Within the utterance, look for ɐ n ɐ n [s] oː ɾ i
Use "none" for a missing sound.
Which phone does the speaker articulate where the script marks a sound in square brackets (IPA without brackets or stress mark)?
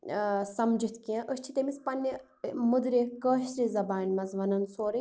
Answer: s